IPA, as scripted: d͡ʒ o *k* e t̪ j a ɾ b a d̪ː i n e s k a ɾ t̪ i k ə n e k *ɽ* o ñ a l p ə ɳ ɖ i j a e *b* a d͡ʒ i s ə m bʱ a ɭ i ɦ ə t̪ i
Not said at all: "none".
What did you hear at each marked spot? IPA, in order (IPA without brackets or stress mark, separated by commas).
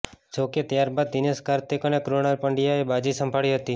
k, ɾ, b